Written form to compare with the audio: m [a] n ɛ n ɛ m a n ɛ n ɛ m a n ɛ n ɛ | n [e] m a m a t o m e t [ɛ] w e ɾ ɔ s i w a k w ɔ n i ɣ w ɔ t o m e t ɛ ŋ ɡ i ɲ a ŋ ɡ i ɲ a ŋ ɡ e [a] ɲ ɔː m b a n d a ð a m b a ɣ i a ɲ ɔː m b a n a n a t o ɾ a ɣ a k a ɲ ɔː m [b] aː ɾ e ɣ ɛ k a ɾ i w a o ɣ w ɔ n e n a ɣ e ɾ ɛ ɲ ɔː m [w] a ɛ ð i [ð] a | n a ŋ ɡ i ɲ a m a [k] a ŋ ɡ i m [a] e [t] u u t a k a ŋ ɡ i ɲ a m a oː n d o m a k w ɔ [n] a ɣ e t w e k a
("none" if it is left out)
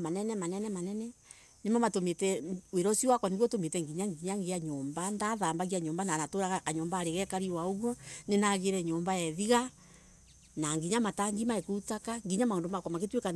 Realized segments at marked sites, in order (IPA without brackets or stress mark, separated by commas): a, e, ɛ, a, b, b, ɣ, t, a, k, m